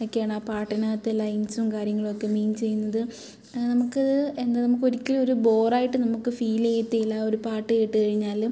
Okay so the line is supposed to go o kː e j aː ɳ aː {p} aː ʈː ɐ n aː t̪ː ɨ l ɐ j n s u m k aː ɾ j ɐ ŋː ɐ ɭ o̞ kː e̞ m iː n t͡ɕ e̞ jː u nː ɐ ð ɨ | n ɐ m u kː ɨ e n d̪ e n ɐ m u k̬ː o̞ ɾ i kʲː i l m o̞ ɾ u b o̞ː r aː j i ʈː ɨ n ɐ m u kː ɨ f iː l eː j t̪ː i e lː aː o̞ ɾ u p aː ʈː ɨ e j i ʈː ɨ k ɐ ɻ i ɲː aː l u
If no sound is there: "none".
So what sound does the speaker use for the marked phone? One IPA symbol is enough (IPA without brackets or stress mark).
p